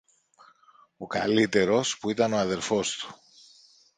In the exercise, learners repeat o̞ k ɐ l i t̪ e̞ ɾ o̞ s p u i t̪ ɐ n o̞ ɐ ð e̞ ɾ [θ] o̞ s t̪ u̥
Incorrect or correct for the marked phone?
incorrect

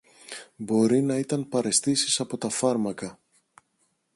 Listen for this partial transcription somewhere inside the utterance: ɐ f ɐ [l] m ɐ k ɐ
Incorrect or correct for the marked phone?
incorrect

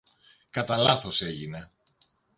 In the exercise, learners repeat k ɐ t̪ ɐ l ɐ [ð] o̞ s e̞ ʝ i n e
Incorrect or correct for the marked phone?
incorrect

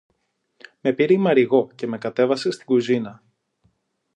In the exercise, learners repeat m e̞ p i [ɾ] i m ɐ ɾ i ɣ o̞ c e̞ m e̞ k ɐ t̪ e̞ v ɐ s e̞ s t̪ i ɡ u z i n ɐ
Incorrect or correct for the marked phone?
correct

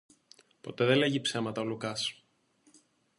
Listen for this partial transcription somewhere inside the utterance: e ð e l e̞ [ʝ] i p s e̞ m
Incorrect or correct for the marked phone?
correct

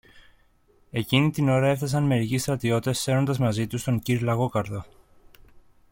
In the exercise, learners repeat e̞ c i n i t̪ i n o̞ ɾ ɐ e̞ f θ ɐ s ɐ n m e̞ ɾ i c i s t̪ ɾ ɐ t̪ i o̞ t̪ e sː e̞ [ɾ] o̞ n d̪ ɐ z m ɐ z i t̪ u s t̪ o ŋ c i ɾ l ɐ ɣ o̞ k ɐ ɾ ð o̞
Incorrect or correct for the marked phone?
correct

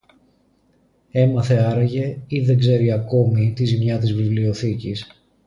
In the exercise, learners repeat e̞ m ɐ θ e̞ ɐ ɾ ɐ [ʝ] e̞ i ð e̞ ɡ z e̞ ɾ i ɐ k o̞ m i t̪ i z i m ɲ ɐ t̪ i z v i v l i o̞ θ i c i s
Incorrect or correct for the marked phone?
correct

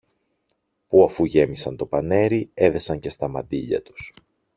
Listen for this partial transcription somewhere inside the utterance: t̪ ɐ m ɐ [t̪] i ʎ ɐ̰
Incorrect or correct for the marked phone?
incorrect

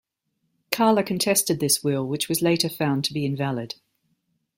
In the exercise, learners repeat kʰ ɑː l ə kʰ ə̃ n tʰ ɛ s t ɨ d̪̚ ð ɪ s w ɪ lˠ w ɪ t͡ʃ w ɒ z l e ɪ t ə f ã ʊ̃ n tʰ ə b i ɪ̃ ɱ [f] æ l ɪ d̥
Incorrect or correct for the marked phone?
incorrect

